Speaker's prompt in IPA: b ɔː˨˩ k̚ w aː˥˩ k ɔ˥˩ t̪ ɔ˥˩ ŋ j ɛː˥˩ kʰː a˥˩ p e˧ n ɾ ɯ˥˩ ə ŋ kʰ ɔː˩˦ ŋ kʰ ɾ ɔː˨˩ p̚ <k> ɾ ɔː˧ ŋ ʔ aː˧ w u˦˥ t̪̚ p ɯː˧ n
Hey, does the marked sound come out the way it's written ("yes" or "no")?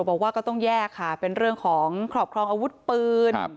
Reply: no